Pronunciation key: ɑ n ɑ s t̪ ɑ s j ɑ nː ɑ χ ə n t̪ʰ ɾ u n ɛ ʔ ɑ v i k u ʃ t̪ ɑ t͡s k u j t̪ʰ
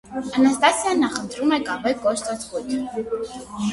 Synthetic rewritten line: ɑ n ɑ s t̪ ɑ s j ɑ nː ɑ χ ə n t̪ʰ ɾ u m ɛ k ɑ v ɛ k ɔ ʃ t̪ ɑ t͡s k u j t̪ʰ